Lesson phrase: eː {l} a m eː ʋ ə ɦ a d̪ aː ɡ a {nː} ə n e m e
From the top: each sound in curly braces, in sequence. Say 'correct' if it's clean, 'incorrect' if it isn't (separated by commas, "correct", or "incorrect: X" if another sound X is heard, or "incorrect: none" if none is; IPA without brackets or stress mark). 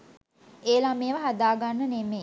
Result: correct, correct